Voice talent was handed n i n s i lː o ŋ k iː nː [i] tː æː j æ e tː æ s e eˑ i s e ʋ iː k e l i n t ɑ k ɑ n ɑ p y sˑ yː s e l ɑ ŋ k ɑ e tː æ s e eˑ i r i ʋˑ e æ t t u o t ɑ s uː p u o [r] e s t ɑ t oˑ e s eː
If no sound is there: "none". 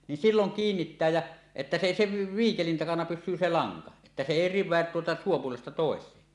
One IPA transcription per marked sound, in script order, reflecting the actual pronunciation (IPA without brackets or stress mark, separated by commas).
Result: i, l